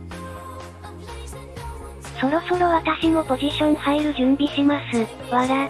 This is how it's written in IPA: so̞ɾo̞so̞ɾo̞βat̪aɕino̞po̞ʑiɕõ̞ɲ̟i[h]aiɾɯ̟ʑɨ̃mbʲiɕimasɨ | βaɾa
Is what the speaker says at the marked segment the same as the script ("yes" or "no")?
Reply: yes